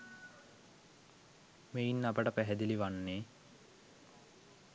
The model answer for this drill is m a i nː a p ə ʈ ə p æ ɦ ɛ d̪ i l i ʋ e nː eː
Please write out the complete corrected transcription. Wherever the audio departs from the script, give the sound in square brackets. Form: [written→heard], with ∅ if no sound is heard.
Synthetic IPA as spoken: m [a→e] i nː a p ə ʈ ə p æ ɦ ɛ d̪ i l i ʋ [e→a] nː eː